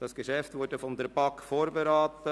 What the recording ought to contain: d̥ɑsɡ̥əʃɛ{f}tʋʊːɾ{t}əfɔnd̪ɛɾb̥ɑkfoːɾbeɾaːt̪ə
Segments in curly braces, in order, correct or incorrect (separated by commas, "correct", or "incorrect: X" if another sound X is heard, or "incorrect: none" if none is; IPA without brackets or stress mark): correct, incorrect: d